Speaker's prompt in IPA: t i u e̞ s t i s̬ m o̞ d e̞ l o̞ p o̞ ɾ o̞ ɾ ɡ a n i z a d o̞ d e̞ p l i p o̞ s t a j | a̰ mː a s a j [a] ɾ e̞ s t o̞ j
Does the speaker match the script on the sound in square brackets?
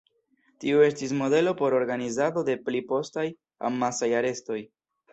yes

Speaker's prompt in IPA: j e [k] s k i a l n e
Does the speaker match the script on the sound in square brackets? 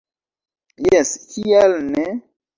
no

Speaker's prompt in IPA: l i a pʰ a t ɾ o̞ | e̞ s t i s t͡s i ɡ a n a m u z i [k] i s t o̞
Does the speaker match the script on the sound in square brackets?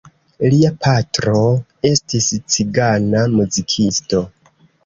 no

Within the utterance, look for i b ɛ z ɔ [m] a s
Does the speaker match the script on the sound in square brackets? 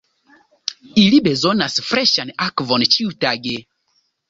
no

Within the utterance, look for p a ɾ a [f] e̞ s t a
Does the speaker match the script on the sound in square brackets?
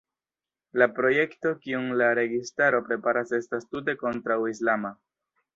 no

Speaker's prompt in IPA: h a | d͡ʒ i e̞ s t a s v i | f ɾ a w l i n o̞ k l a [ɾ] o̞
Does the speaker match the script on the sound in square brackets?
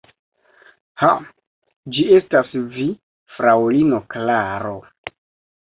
yes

